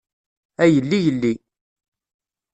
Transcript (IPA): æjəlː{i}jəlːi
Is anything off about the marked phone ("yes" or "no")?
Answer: no